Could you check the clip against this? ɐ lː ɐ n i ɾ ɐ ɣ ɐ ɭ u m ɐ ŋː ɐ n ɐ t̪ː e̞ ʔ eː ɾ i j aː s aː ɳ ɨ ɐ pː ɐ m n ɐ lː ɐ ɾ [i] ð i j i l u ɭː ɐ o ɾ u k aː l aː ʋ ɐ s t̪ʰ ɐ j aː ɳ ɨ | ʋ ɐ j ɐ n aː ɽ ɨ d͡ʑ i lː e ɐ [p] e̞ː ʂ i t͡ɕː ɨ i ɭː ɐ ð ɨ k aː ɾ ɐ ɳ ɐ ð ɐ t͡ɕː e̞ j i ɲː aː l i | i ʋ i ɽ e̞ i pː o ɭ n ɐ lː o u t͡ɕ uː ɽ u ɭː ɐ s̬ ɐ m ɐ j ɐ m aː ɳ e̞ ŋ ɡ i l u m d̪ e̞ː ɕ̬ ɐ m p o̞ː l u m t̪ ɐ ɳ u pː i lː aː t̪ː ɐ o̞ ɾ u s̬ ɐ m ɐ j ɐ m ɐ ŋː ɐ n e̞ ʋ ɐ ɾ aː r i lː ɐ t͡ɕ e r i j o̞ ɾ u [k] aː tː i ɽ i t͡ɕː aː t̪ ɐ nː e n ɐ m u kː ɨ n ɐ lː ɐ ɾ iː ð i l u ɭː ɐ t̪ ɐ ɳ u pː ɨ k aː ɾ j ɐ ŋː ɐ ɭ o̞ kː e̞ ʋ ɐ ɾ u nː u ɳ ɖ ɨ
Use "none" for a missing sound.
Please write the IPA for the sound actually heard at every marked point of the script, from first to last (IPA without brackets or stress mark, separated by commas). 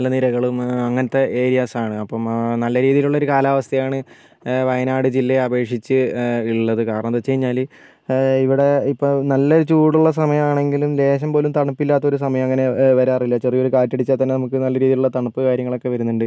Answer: iː, b, k